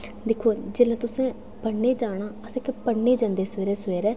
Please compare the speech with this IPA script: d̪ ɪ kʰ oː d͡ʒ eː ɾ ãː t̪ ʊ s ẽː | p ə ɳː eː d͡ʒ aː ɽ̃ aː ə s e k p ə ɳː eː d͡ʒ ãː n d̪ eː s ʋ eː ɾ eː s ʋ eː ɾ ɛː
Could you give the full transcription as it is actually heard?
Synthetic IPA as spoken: d̪ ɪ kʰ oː d͡ʒ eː l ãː t̪ ʊ s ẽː | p ə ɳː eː d͡ʒ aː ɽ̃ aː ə s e k p ə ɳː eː d͡ʒ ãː n d̪ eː s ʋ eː ɾ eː s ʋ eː ɾ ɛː